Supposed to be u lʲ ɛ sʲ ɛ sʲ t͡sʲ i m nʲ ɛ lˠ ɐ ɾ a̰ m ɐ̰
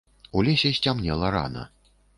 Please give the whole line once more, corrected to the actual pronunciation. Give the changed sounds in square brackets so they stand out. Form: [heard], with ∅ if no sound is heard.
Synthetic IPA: u lʲ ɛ sʲ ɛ sʲ t͡sʲ [a] m nʲ ɛ lˠ ɐ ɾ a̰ [n] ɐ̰